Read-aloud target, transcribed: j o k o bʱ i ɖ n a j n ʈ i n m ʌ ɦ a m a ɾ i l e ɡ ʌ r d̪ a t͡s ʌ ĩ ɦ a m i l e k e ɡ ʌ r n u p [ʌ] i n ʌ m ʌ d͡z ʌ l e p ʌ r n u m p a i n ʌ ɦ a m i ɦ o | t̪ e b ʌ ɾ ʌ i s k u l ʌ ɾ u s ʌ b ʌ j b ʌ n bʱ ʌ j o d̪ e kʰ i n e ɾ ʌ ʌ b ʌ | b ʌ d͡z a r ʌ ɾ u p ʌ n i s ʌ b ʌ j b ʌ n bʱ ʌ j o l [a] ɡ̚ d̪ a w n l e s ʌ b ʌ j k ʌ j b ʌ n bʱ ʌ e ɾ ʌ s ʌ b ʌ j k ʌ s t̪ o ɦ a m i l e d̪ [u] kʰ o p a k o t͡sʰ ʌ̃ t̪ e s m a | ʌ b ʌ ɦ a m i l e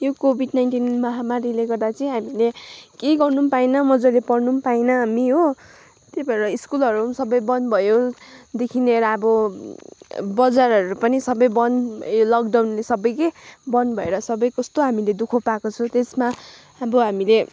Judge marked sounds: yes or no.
no, no, yes

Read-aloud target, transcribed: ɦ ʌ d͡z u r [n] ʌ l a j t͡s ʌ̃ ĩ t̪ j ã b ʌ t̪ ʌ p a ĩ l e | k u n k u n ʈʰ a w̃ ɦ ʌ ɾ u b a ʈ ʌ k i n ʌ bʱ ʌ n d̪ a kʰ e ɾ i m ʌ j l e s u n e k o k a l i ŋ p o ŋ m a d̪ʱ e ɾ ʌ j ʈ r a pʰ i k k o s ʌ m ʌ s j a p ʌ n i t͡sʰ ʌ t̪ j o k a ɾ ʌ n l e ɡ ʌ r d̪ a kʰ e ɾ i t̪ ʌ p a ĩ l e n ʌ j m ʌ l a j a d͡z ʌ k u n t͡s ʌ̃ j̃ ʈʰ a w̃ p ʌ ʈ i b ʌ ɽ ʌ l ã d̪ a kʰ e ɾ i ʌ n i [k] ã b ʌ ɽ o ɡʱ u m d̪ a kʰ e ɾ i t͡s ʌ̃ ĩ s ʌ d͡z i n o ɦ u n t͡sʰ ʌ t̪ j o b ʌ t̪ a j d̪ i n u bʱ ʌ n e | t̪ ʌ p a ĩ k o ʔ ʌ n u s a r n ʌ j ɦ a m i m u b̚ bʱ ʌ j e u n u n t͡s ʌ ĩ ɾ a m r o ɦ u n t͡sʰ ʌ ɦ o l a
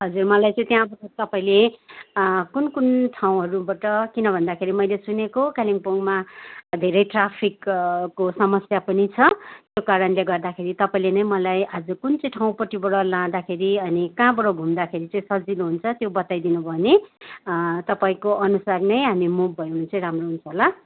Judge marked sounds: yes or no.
no, yes

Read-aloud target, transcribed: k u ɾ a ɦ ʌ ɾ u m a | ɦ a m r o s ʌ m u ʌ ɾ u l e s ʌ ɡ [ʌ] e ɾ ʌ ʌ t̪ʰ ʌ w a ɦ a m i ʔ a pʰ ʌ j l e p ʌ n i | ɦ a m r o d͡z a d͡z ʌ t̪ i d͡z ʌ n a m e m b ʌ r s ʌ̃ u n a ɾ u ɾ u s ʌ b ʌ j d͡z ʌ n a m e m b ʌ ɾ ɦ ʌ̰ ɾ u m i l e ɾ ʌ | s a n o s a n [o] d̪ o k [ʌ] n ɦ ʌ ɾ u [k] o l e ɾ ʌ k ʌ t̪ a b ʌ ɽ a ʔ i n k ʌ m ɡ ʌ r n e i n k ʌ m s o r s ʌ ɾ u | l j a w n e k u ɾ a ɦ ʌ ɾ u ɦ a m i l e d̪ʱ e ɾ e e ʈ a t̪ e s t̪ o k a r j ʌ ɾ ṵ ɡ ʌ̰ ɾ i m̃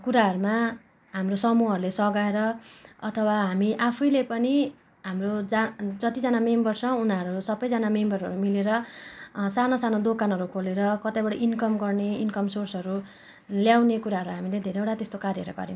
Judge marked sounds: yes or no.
no, yes, no, no

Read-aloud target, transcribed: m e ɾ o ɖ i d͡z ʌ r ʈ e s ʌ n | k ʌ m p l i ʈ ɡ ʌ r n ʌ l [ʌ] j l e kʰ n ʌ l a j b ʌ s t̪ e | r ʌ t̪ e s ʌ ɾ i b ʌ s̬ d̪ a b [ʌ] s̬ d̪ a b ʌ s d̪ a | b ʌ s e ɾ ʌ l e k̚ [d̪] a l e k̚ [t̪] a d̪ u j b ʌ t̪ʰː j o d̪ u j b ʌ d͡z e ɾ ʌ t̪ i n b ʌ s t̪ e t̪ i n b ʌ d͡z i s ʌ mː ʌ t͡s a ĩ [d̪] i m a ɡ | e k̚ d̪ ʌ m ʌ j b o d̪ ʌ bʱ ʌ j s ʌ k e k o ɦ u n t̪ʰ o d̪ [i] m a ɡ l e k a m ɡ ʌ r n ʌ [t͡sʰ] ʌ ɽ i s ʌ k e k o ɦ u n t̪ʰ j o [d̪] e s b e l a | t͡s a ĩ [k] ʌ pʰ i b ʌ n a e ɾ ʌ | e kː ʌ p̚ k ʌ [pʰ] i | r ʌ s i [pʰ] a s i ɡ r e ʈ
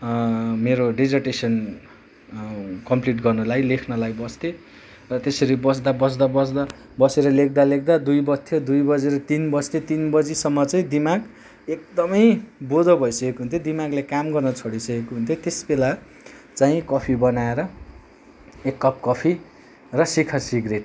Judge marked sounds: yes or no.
no, yes, yes, no, yes, yes, yes, no, yes, yes, no

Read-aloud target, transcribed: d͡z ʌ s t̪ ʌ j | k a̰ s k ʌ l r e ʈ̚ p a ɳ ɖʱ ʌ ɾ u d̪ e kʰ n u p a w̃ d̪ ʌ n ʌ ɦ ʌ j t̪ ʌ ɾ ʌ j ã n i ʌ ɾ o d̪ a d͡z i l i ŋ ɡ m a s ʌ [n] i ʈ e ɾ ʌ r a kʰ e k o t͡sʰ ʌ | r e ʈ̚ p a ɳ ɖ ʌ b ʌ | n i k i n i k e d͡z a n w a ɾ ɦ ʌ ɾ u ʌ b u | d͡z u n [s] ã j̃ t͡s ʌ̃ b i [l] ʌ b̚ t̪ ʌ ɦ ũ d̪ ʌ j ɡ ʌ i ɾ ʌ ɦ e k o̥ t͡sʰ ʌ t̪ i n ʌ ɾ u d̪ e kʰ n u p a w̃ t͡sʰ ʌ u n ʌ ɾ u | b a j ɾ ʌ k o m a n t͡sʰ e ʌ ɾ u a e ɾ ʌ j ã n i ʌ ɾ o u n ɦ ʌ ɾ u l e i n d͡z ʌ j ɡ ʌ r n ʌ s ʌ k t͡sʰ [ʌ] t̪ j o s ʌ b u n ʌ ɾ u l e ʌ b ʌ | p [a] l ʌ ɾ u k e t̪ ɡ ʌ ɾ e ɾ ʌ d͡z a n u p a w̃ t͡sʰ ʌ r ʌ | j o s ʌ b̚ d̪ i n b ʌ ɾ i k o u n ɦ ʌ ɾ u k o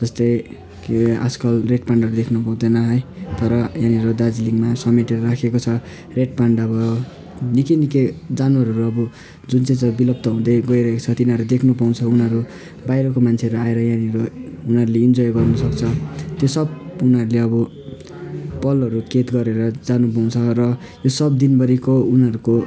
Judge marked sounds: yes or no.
no, no, yes, yes, no

